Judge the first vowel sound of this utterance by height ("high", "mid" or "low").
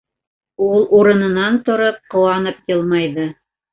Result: high